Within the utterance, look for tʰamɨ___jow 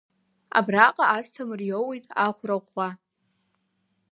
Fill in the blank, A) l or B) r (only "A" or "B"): B